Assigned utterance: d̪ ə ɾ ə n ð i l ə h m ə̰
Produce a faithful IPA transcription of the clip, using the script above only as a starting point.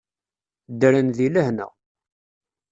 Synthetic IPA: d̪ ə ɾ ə n ð i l ə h n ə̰